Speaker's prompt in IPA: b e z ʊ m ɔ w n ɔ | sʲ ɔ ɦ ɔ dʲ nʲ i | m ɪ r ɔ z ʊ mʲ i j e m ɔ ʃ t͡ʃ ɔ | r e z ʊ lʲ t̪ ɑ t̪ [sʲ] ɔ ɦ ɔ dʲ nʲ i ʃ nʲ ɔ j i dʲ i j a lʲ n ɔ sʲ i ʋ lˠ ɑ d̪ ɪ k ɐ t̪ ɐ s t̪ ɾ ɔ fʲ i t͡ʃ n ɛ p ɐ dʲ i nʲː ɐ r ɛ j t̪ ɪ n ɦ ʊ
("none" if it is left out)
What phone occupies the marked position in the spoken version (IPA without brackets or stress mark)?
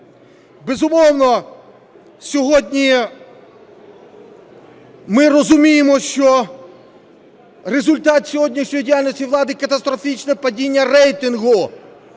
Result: sʲ